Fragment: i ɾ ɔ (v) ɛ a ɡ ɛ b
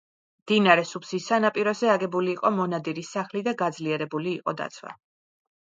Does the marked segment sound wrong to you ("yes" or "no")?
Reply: yes